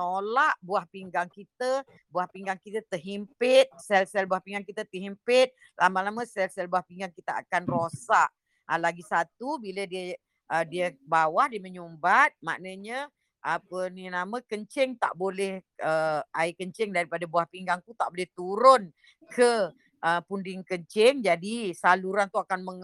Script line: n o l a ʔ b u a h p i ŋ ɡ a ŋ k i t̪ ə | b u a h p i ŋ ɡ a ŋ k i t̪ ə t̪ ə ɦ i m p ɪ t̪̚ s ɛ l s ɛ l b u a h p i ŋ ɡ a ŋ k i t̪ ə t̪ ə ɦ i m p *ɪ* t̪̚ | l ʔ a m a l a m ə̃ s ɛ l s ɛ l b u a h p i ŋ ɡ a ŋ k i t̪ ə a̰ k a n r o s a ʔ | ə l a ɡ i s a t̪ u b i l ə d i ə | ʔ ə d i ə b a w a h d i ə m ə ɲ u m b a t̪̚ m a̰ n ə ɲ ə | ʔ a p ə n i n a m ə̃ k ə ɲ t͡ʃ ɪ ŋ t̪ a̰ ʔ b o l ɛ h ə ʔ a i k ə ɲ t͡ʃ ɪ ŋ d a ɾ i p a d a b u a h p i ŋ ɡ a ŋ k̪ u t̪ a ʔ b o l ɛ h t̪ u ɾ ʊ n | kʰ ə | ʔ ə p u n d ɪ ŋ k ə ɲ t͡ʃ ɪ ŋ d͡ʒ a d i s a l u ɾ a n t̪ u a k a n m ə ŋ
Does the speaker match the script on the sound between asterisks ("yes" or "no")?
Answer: yes